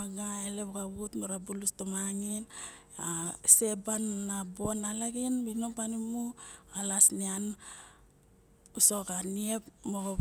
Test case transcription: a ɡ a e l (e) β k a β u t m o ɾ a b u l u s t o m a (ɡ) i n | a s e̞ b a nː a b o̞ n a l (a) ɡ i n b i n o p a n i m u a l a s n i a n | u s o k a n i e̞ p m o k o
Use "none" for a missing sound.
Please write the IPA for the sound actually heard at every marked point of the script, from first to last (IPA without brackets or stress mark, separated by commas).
e, ŋ, a